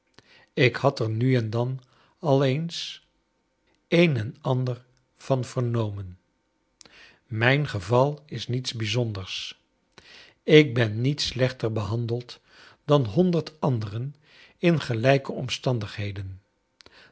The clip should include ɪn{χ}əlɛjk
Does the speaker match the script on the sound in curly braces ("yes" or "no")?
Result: yes